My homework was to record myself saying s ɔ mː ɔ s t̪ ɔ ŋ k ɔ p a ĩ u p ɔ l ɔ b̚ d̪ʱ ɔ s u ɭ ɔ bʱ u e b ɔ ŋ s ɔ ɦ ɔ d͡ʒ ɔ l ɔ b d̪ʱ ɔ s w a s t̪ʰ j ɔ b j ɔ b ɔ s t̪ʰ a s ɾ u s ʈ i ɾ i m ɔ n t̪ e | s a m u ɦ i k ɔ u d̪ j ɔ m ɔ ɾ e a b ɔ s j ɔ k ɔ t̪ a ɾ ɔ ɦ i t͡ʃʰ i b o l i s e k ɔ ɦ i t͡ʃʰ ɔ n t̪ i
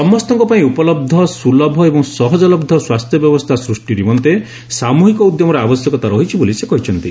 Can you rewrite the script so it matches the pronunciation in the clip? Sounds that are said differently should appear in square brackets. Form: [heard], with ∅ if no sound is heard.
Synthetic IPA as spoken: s ɔ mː ɔ s t̪ ɔ ŋ k ɔ p a ĩ u p ɔ l ɔ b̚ d̪ʱ ɔ s u [l] ɔ bʱ [ɔ] e b ɔ ŋ s ɔ ɦ ɔ d͡ʒ ɔ l ɔ b d̪ʱ ɔ s w a s t̪ʰ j ɔ b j ɔ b ɔ s t̪ʰ a s ɾ u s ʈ i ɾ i m ɔ n t̪ e | s a m u ɦ i k ɔ u d̪ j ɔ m ɔ ɾ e a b ɔ s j ɔ k ɔ t̪ a ɾ ɔ ɦ i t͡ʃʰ i b o l i s e k ɔ ɦ i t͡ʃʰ ɔ n t̪ i